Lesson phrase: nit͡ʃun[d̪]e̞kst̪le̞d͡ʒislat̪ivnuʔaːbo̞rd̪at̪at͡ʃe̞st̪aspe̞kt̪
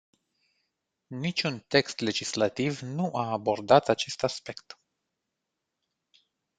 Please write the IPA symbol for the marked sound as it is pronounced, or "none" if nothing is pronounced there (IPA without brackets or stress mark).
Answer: t̪